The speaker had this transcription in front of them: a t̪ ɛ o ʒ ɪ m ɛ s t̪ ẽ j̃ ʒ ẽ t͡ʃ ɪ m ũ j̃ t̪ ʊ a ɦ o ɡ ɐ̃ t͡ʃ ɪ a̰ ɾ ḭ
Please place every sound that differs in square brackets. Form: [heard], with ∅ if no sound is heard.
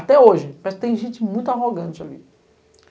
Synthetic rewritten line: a t̪ ɛ o ʒ ɪ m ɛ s t̪ ẽ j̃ ʒ ẽ t͡ʃ ɪ m ũ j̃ t̪ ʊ a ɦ o ɡ ɐ̃ t͡ʃ ɪ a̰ [l] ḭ

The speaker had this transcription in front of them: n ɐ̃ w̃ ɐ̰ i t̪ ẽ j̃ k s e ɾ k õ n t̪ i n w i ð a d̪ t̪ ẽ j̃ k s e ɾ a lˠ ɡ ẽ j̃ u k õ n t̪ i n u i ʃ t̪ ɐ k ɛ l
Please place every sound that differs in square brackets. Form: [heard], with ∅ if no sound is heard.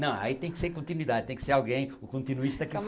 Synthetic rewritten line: n ɐ̃ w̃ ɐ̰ i t̪ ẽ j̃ k s e ɾ k õ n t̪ i n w i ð a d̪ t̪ ẽ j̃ k s e ɾ a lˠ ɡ ẽ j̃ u k õ n t̪ i n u i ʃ t̪ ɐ k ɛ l

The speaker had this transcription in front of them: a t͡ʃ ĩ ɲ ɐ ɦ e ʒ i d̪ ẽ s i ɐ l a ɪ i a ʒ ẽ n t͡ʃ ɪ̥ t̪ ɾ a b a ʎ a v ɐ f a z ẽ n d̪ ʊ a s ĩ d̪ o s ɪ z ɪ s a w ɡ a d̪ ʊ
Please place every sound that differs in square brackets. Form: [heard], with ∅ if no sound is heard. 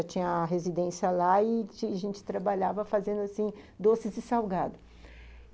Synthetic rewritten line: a t͡ʃ ĩ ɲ ɐ ɦ e [z] i d̪ ẽ s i ɐ l a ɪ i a ʒ ẽ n t͡ʃ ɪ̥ t̪ ɾ a b a ʎ a v ɐ f a z ẽ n d̪ ʊ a s ĩ d̪ o s ɪ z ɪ s a w ɡ a d̪ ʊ

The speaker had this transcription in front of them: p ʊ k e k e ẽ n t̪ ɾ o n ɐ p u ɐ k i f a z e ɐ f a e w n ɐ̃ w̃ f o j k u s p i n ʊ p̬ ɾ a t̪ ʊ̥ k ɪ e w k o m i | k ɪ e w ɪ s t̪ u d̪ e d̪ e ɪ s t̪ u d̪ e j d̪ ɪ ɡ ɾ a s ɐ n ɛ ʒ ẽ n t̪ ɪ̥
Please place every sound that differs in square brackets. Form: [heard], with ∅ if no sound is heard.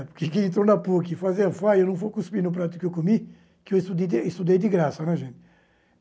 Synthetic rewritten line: p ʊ k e k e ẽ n t̪ ɾ o n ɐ p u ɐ k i f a z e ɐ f a e w n ɐ̃ w̃ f o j k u s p i n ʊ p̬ ɾ a t̪ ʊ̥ k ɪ e w k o m i | k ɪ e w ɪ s t̪ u d̪ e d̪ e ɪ s t̪ u d̪ e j d̪ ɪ ɡ ɾ a s ɐ n ɛ ʒ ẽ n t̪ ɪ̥

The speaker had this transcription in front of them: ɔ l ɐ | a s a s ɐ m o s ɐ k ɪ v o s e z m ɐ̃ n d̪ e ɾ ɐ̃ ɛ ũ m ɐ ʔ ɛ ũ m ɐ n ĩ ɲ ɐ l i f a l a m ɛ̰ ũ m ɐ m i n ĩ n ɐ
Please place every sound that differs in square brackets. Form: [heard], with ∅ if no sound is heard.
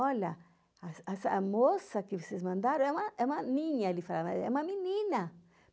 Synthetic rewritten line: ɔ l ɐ | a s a s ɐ m o s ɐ k ɪ v o s e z m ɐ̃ n d̪ [a] ɾ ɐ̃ ɛ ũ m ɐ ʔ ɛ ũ m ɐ n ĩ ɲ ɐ l i f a l a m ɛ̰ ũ m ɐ m i n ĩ n ɐ

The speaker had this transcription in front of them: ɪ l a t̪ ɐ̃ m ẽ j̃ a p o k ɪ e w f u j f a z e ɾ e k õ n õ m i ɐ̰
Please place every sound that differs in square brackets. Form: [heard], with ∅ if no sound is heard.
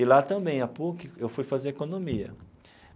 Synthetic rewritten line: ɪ l a t̪ ɐ̃ [b] ẽ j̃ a p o k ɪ e w f u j f a z e ɾ e k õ n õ m i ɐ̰

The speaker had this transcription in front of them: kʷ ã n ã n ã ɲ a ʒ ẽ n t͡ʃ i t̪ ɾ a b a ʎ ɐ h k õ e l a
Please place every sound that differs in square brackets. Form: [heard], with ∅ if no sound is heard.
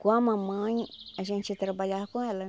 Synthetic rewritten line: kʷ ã [m] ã [m] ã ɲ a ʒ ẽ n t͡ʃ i t̪ ɾ a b a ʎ [a] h k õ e l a

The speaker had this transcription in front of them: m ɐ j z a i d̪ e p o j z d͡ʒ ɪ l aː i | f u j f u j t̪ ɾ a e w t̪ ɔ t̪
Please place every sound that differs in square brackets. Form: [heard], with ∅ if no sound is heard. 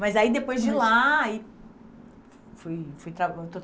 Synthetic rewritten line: m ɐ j z a i d̪ e p o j z d͡ʒ ɪ l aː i | f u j f u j t̪ ɾ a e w t̪ [o] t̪

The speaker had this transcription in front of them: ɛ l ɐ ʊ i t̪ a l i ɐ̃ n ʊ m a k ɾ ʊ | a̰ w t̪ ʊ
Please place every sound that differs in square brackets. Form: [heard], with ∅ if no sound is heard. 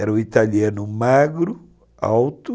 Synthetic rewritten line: ɛ [ɾ] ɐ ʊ i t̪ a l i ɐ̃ n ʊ m a [ɡ] ɾ ʊ | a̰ w t̪ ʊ

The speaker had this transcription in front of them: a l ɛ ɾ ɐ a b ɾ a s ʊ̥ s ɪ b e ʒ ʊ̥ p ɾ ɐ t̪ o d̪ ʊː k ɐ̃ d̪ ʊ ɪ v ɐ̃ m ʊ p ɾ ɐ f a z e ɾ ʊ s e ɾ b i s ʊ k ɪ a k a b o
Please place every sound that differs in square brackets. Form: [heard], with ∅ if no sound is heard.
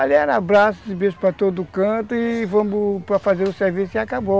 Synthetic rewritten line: a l ɛ ɾ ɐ a b ɾ a s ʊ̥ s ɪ b e ʒ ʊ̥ p ɾ ɐ t̪ o d̪ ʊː k ɐ̃ [t̪] ʊ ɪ v ɐ̃ m ʊ p ɾ ɐ f a z e ɾ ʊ s e ɾ [v] i s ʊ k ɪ a k a b o

